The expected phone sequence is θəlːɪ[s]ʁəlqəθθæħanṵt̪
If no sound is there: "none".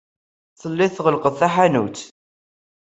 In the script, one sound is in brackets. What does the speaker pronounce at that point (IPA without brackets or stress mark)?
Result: θ